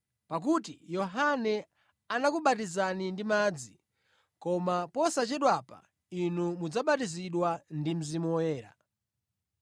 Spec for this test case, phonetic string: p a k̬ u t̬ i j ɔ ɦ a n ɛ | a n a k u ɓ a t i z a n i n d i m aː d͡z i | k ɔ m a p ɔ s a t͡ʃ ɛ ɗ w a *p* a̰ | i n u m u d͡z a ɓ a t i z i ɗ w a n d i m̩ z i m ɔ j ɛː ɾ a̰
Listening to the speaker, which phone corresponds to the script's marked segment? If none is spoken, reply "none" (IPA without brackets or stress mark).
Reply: p